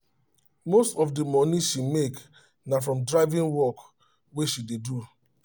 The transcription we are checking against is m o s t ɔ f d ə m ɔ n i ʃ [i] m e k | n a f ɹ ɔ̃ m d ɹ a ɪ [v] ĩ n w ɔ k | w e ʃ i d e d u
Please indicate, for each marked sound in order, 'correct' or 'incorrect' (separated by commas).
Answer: correct, correct